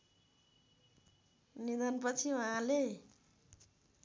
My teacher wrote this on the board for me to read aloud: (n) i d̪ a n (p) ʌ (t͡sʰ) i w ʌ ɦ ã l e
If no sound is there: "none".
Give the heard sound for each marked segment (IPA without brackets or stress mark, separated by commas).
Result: n, p, t͡sʰ